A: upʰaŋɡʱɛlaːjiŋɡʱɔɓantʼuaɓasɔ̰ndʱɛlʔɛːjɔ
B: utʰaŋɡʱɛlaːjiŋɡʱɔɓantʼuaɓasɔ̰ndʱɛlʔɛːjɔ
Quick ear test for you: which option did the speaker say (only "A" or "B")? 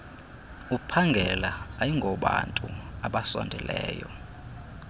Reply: A